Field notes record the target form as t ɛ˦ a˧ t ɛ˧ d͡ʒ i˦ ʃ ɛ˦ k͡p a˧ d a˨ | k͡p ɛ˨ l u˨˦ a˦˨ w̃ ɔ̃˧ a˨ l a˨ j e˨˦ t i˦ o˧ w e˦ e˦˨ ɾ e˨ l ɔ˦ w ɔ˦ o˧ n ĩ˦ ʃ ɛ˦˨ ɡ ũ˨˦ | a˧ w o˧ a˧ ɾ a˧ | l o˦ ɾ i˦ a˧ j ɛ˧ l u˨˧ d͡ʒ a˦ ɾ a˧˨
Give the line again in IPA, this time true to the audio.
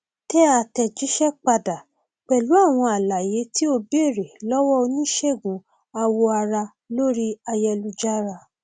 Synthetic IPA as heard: t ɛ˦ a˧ t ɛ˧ d͡ʒ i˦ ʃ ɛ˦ k͡p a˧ d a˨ | k͡p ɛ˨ l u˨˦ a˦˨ w̃ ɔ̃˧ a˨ l a˨ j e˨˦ t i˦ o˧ b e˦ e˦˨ ɾ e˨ l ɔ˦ w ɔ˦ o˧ n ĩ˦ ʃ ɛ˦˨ ɡ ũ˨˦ | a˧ w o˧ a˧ ɾ a˧ | l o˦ ɾ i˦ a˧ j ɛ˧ l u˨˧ d͡ʒ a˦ ɾ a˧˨

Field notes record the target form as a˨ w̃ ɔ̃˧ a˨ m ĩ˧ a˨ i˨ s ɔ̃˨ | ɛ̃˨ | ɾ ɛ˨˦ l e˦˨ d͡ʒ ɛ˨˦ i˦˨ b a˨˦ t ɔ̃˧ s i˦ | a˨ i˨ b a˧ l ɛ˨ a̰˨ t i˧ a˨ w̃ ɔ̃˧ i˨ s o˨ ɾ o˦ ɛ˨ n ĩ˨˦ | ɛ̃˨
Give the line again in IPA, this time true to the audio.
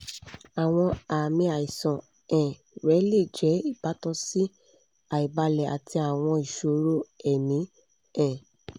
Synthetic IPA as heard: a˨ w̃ ɔ̃˧ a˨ m ĩ˧ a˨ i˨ s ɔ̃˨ | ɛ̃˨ | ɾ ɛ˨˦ l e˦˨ d͡ʒ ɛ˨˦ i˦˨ b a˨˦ t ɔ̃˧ s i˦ | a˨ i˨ b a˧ l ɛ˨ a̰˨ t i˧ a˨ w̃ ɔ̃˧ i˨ ʃ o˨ ɾ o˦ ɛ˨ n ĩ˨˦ | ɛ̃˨

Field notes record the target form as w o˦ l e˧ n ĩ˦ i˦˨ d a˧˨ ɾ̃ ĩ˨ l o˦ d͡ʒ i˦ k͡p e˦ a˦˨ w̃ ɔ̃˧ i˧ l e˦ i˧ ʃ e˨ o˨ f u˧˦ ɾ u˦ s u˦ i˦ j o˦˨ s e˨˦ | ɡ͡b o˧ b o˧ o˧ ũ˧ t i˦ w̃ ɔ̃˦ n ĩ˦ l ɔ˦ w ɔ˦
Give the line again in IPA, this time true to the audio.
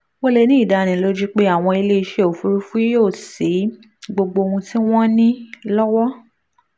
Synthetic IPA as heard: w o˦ l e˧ n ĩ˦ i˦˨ d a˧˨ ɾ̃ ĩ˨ l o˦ d͡ʒ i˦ k͡p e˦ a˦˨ w̃ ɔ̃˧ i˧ l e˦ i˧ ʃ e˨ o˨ f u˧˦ ɾ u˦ f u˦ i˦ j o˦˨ s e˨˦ | ɡ͡b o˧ ɡ͡b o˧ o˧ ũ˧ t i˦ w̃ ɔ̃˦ n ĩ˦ l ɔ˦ w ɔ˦

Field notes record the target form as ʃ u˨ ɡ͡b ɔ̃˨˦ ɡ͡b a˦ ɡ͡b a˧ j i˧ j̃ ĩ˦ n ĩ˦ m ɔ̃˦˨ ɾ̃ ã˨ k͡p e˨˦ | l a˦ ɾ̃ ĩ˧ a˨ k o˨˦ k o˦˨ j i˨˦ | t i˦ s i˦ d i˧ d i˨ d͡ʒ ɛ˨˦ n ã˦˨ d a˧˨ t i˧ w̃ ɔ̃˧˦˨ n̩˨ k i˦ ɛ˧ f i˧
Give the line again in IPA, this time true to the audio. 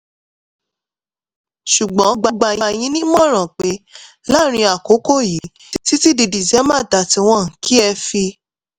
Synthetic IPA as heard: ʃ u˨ ɡ͡b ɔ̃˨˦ ɡ͡b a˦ ɡ͡b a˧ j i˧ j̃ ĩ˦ n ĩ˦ m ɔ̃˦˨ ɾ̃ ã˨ k͡p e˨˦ | l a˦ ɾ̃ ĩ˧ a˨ k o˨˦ k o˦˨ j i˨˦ | t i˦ t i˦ d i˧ d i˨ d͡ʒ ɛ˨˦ m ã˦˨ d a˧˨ t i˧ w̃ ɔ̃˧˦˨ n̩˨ k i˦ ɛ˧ f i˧

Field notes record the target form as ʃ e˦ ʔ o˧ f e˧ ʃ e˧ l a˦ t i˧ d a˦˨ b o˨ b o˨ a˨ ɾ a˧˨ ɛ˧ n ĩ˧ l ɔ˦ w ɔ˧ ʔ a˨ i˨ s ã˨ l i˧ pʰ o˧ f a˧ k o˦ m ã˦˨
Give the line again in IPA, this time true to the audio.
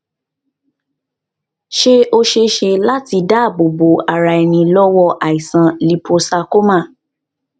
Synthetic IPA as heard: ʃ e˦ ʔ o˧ ʃ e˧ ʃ e˧ l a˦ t i˧ d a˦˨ b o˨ b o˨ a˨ ɾ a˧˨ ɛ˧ n ĩ˧ l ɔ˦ w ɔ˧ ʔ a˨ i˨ s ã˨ l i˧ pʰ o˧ s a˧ k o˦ m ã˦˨

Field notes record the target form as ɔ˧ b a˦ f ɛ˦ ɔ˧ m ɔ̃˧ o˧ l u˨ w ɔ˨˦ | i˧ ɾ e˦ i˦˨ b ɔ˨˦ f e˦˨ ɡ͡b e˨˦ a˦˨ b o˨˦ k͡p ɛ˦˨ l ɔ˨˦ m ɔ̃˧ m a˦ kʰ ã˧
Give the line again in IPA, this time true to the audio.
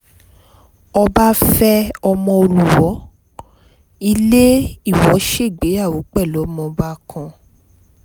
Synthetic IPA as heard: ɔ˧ b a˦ f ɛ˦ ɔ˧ m ɔ̃˧ o˧ l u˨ w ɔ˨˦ | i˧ l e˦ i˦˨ w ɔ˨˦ ʃ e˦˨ ɡ͡b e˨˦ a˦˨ w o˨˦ k͡p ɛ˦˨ l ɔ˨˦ m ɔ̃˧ b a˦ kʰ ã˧

